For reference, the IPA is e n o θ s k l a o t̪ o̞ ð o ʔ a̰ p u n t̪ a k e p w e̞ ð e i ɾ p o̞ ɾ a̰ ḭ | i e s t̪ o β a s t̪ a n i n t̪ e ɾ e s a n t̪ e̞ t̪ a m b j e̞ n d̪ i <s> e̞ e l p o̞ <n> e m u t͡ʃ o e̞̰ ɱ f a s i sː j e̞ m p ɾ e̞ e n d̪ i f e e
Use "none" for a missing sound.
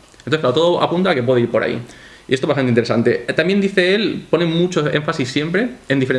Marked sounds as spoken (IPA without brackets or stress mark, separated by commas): θ, n